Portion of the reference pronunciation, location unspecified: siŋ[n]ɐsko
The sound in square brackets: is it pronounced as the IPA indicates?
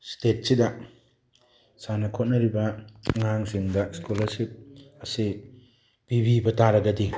no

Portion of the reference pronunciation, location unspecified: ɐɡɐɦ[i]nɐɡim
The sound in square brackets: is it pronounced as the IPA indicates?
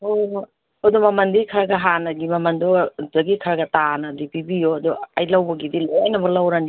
no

